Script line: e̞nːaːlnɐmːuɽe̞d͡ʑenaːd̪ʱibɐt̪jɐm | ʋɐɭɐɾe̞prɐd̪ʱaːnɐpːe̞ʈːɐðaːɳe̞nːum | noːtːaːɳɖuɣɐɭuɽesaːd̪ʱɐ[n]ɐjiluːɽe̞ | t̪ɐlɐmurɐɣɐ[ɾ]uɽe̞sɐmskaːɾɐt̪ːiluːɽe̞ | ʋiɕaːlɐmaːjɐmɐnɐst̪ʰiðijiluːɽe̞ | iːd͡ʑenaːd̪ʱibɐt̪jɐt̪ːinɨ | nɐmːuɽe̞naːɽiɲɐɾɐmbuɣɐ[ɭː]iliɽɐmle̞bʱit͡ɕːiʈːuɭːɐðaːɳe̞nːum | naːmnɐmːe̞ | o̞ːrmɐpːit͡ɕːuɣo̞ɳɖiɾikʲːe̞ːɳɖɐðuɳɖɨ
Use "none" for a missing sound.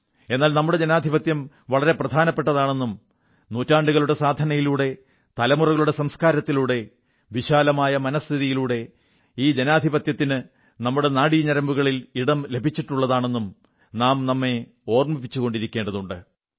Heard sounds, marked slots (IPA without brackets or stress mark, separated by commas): n, ɭ, ɭ